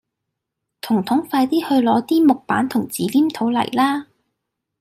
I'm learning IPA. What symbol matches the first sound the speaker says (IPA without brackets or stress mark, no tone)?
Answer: t̪ʰ